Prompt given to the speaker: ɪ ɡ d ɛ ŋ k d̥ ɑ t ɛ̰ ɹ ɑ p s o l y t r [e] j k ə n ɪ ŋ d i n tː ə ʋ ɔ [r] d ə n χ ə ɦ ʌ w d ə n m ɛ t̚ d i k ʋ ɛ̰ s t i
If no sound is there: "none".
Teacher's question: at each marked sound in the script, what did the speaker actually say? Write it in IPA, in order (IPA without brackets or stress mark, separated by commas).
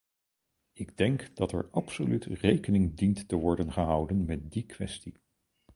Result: e, ɹ